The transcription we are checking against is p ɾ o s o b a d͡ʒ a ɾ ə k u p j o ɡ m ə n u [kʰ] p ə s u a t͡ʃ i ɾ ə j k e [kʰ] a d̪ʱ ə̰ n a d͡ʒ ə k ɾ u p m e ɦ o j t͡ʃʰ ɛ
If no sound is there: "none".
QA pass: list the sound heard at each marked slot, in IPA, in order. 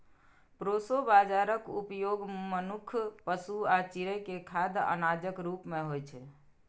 kʰ, kʰ

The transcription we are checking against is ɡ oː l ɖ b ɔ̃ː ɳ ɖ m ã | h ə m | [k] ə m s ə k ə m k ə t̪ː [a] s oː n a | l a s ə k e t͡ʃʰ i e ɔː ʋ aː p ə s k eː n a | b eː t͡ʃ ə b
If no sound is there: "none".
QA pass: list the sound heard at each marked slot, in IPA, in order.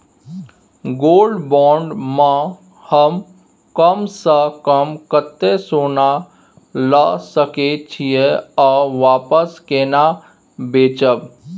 k, e

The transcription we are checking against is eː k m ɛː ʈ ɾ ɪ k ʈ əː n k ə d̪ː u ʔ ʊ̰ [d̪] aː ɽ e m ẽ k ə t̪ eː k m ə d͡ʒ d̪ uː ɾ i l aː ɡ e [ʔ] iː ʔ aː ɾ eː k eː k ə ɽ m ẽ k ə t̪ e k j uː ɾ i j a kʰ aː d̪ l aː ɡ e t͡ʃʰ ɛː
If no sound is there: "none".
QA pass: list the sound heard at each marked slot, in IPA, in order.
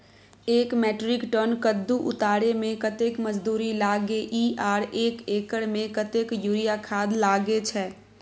t̪, ʔ

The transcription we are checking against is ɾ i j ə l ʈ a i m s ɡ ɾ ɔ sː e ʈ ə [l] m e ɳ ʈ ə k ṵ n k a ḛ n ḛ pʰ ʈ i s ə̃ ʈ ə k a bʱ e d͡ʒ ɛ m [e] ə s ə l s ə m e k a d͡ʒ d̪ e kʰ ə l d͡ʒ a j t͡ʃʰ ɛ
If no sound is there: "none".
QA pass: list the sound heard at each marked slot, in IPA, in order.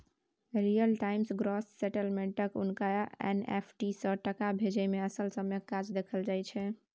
l, e

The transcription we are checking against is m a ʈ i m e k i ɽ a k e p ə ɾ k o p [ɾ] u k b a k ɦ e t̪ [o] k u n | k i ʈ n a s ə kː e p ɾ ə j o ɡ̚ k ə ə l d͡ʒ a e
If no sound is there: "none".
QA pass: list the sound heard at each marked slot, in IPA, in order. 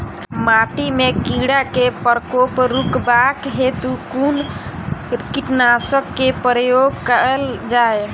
ɾ, u

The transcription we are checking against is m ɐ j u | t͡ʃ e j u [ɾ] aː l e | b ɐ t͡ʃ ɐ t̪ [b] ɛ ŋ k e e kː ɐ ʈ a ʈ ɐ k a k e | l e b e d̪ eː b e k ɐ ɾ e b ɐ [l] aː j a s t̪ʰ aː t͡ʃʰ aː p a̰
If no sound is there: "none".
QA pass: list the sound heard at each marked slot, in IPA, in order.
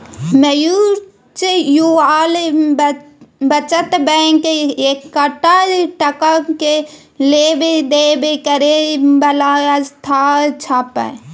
none, b, l

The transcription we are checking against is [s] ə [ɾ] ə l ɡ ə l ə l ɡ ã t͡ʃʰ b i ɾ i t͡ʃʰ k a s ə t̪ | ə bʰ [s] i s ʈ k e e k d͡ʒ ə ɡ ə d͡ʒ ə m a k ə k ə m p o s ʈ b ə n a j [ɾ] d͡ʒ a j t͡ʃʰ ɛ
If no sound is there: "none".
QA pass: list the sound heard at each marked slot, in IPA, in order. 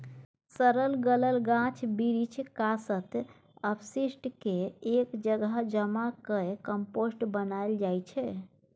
s, ɾ, s, l

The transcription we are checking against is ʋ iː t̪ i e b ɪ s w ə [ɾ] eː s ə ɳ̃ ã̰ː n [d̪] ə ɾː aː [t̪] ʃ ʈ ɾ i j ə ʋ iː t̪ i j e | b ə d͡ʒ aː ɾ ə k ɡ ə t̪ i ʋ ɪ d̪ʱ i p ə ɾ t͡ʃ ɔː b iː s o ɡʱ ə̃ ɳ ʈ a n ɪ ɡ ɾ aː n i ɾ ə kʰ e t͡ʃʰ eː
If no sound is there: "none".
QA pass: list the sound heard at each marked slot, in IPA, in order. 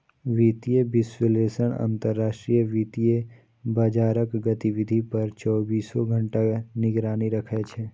l, t̪, none

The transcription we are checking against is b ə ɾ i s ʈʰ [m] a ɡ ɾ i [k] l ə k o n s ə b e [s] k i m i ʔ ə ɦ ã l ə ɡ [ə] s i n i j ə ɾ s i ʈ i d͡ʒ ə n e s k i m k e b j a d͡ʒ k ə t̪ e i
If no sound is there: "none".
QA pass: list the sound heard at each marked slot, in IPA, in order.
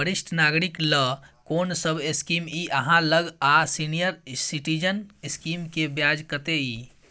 n, k, s, a

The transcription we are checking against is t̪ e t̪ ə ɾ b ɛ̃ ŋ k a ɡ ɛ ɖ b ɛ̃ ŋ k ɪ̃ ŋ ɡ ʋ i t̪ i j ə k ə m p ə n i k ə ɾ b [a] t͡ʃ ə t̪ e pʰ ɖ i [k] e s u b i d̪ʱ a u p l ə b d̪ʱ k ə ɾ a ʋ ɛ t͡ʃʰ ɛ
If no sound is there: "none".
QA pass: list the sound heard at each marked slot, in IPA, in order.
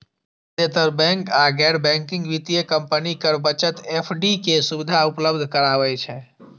ə, k

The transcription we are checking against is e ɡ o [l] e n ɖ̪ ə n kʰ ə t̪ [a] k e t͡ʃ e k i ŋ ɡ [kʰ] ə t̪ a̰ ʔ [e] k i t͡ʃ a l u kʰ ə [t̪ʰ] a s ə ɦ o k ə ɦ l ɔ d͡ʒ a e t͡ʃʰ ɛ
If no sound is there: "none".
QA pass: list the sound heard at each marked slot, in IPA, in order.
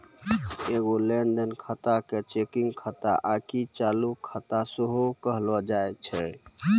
l, a, kʰ, a, t̪

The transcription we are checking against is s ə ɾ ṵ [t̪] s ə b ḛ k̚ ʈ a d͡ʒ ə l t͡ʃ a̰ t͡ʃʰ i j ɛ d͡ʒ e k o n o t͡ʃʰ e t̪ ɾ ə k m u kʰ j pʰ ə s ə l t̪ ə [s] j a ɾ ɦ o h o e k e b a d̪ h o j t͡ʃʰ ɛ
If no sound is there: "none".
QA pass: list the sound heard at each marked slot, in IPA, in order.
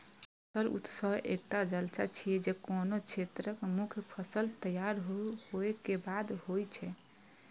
t̪, none

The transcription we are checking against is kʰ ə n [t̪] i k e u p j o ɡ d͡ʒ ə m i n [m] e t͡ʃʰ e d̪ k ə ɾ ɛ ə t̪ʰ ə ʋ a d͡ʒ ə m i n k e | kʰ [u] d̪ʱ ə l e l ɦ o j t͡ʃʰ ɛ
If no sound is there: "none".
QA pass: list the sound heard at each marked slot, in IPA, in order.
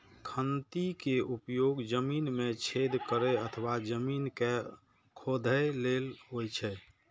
t̪, m, o

